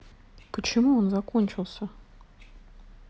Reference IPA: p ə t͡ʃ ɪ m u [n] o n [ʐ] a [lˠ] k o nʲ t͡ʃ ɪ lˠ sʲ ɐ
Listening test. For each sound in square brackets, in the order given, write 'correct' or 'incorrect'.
incorrect, incorrect, incorrect

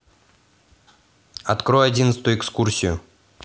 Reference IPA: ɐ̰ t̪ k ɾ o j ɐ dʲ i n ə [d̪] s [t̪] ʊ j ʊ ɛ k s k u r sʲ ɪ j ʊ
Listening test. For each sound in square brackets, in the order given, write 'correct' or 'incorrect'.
incorrect, correct

